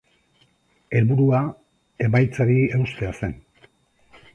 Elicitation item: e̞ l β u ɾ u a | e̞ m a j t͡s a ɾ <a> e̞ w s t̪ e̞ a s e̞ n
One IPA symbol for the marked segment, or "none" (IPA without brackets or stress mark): i